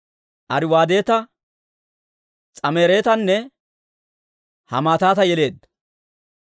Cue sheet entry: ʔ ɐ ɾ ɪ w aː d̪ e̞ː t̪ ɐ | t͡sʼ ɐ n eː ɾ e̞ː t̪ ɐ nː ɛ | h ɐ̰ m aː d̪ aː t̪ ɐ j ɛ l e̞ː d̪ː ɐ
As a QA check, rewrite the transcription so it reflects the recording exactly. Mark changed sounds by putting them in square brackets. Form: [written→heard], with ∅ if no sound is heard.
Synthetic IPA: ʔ ɐ ɾ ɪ w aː d̪ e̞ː t̪ ɐ | t͡sʼ ɐ [n→m] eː ɾ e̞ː t̪ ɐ nː ɛ | h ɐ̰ m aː [d̪→t̪] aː t̪ ɐ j ɛ l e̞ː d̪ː ɐ